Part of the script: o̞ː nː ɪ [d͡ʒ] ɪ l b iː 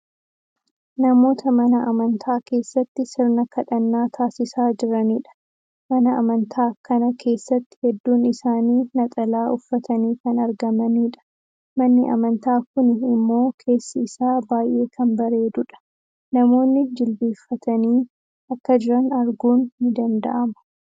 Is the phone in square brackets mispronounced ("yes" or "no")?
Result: no